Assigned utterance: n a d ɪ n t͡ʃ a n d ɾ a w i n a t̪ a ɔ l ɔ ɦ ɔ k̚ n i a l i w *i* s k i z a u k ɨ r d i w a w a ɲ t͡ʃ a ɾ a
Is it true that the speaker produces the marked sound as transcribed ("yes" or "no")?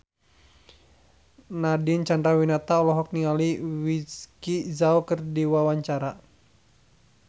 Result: yes